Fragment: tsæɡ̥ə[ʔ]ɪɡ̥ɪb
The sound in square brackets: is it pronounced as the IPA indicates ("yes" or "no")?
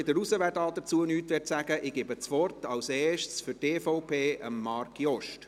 yes